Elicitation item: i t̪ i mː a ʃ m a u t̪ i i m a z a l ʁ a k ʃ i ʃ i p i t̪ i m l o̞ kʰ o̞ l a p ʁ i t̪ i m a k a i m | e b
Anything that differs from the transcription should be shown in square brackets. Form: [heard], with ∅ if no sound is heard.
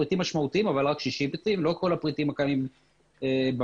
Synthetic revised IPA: i t̪ i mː a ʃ m a u t̪ i i m a [v] a l ʁ a k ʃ i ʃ i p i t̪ i m l o̞ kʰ o̞ l a p ʁ i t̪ i m a k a i m | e b